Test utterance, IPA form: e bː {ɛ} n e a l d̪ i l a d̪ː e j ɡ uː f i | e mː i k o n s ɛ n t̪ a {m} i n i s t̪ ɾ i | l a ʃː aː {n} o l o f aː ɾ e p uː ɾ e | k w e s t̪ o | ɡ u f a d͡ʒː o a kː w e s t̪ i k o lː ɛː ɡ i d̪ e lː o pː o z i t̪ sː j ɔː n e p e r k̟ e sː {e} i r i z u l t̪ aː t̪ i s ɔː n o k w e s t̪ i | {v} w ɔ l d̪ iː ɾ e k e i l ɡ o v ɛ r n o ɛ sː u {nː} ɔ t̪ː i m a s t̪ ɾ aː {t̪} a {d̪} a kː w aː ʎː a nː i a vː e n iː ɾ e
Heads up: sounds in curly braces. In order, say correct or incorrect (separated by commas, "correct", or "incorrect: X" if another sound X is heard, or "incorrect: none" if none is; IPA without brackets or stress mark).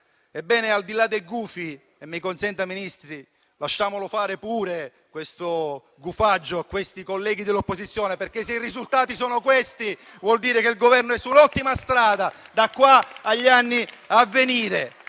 incorrect: ɛː, correct, incorrect: m, correct, correct, incorrect: n, incorrect: d̪, correct